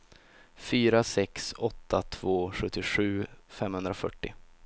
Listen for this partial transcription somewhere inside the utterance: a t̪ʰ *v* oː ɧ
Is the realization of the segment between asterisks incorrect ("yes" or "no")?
no